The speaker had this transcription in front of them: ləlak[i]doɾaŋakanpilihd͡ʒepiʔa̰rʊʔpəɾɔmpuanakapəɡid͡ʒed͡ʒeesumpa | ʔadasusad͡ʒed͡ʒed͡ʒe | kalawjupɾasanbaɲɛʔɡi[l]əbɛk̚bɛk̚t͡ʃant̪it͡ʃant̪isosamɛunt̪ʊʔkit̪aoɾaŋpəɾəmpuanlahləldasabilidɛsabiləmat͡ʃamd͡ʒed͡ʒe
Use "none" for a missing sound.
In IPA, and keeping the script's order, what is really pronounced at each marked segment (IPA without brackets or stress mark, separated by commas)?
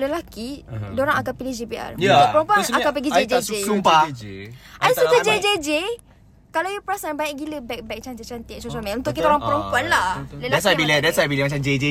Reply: i, l